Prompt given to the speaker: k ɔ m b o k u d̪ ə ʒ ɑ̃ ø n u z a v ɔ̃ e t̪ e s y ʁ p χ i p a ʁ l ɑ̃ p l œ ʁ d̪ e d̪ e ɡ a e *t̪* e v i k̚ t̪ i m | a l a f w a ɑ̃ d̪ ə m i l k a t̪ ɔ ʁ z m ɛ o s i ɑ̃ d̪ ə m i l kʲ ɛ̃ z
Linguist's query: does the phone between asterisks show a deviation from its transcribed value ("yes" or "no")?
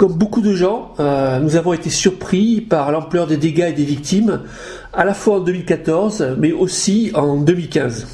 yes